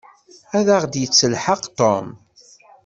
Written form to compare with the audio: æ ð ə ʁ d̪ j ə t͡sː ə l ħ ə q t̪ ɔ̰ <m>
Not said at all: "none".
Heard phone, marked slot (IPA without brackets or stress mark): m